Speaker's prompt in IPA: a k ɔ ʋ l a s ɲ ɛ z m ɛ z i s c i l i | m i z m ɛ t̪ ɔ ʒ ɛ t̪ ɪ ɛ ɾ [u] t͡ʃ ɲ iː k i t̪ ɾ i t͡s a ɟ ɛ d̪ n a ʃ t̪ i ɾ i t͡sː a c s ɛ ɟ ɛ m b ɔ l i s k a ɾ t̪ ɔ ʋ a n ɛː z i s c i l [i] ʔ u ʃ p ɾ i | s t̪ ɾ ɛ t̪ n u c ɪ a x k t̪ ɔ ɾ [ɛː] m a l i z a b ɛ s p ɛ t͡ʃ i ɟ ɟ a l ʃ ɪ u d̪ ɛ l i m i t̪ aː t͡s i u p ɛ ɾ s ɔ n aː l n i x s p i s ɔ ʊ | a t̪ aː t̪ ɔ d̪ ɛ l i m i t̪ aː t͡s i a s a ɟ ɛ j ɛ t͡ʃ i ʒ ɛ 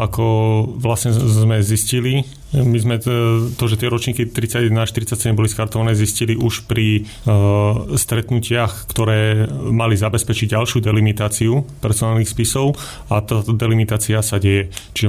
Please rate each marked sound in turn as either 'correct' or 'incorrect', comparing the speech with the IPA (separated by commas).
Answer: incorrect, correct, correct